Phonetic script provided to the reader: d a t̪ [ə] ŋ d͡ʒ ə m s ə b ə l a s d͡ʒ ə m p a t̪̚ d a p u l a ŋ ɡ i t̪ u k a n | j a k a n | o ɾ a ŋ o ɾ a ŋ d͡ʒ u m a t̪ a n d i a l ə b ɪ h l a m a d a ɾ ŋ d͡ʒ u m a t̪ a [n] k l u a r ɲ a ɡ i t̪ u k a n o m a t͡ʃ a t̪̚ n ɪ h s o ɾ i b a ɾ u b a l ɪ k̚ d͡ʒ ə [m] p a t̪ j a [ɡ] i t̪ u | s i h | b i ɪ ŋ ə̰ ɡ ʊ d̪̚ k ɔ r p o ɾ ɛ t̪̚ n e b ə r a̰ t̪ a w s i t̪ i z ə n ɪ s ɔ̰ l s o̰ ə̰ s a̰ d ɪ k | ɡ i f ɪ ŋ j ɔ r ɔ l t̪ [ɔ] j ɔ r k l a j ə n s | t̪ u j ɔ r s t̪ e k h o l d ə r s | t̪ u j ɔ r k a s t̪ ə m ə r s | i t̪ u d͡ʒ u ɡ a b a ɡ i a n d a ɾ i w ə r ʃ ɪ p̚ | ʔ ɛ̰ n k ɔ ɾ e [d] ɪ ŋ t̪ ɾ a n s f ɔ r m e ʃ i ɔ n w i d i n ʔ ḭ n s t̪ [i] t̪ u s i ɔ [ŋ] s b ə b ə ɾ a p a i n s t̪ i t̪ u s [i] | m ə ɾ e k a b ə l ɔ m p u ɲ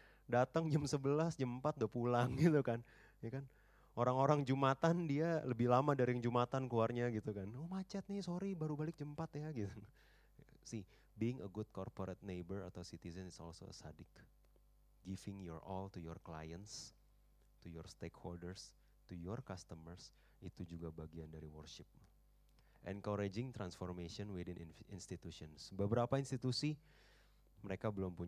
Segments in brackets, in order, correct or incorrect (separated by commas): correct, correct, correct, correct, incorrect, incorrect, correct, incorrect, correct